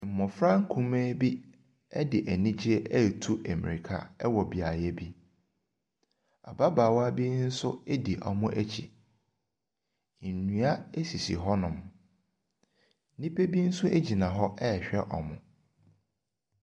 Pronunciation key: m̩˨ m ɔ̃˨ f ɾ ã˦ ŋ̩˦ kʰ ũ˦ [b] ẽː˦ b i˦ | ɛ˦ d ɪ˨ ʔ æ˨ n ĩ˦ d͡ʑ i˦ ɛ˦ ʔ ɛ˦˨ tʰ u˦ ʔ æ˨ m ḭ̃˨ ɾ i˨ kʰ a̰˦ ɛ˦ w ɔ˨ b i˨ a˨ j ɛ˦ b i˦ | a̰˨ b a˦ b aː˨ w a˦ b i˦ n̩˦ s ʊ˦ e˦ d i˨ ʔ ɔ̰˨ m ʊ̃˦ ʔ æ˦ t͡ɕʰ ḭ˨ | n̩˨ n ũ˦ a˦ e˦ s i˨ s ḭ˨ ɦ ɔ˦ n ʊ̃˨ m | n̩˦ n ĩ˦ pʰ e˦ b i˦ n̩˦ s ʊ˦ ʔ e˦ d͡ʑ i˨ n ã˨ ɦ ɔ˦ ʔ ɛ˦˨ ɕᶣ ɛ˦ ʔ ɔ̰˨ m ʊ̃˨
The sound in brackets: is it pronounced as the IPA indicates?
no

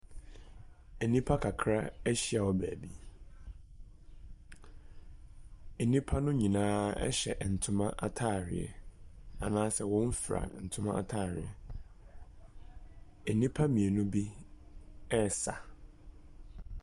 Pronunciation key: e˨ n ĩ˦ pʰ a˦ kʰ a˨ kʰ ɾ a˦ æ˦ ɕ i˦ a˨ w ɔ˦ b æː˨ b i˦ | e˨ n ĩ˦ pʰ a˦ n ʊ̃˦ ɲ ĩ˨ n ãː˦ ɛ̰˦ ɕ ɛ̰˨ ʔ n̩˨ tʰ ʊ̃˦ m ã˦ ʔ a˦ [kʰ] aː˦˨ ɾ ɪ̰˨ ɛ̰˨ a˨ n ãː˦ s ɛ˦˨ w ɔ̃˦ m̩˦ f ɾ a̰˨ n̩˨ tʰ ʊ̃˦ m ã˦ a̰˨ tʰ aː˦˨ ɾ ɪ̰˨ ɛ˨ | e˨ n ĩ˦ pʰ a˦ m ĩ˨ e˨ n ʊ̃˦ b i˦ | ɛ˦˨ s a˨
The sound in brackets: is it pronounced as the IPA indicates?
no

